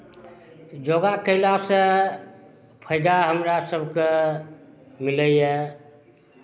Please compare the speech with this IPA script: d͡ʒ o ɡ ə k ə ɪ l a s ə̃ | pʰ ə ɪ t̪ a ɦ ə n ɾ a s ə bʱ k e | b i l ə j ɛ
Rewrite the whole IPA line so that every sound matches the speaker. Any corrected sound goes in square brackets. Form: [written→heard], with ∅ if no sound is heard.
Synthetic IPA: d͡ʒ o ɡ [ə→a] k ə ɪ l a s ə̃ | pʰ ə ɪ [t̪→d̪] a ɦ ə [n→m] ɾ a s ə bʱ k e | [b→m] i l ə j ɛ